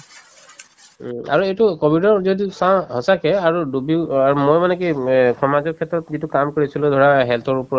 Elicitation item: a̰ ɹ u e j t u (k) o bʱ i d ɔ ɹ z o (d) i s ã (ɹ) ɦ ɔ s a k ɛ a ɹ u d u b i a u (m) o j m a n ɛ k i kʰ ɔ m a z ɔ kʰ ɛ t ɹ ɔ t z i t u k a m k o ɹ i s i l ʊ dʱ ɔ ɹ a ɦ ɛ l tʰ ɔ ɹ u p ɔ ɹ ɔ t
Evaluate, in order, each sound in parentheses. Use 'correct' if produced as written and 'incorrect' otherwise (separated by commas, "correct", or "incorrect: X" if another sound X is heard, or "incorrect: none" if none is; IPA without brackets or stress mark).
correct, correct, incorrect: none, correct